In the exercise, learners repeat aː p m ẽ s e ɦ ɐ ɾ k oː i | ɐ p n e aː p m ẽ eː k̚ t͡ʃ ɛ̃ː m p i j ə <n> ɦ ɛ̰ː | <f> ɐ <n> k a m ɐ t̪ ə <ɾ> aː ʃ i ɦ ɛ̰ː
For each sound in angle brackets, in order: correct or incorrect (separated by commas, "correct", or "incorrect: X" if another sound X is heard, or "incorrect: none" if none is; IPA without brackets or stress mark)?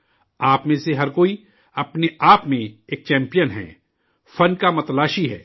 correct, correct, correct, incorrect: l